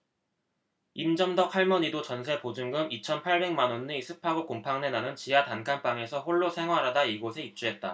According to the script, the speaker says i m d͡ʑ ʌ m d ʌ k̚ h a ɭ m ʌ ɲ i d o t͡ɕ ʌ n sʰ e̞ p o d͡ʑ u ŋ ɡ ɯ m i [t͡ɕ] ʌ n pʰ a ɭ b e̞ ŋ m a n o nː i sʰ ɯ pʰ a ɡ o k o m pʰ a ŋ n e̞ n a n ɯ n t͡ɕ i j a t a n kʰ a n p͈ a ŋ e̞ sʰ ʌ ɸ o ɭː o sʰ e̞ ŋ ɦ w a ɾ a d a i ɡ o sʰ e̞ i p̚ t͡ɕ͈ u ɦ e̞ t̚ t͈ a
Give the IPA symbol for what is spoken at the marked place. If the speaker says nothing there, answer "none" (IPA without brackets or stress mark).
t͡ɕʰ